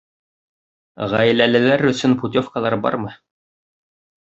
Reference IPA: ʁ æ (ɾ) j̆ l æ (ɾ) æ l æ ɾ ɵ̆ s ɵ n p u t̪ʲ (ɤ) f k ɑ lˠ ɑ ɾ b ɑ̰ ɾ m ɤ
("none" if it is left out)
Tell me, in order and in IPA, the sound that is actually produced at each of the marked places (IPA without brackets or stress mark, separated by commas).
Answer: none, l, o